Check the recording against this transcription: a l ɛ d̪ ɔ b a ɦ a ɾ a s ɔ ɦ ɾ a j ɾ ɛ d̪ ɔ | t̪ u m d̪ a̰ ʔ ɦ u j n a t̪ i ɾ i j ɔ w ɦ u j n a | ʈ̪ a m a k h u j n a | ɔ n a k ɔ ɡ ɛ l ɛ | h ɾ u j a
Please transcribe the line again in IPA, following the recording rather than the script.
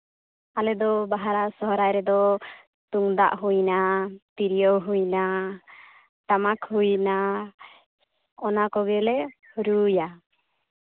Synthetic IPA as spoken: a l ɛ d̪ ɔ b a ɦ a ɾ a s ɔ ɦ ɾ a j ɾ ɛ d̪ ɔ | t̪ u ŋ d̪ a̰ ʔ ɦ u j n a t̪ i ɾ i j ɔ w ɦ u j n a | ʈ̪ a m a k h u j n a | ɔ n a k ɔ ɡ ɛ l ɛ | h ɾ u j a